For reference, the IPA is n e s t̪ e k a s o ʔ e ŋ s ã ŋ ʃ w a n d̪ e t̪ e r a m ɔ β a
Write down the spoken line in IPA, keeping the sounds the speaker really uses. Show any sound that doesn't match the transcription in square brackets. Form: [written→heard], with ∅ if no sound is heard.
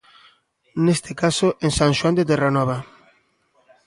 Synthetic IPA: n e s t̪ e k a s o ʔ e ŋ s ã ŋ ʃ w a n d̪ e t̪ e r a [m→n] ɔ β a